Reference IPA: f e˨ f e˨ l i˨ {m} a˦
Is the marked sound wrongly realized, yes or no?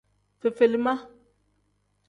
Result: no